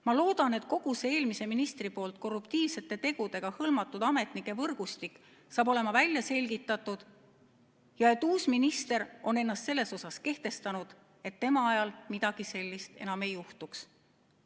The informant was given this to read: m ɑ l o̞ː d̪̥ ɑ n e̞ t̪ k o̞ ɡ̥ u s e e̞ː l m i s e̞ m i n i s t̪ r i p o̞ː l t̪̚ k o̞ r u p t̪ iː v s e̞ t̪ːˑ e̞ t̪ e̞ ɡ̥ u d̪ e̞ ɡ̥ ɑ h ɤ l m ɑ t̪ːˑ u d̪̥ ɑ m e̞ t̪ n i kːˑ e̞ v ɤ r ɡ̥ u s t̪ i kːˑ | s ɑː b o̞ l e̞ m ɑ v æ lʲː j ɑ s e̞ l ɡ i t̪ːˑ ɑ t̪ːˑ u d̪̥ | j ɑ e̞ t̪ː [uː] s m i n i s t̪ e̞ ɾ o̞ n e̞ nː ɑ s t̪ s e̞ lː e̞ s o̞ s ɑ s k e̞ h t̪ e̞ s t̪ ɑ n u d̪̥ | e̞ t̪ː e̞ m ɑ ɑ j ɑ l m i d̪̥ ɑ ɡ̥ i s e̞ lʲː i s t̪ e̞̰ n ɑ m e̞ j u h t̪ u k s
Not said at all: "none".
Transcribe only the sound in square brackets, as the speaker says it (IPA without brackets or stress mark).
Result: uː